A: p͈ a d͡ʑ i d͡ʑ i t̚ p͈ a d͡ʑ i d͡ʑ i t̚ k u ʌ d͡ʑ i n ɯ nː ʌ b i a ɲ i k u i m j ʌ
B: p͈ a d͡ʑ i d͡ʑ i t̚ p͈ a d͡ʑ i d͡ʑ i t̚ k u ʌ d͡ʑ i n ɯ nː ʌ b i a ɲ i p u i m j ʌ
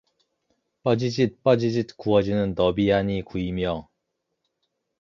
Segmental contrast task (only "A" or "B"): A